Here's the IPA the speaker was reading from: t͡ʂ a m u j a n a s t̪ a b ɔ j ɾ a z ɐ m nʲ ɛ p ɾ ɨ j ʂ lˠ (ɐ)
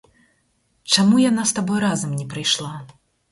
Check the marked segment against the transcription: incorrect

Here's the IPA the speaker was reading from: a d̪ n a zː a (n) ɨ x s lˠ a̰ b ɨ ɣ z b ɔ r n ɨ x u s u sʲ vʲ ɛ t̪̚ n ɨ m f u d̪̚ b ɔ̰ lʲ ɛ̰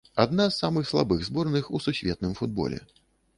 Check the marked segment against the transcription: incorrect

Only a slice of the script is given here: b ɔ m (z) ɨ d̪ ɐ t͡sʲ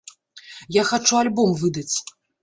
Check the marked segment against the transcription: incorrect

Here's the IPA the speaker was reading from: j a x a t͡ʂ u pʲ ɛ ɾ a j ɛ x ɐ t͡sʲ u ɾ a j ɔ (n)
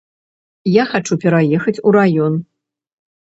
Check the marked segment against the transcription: correct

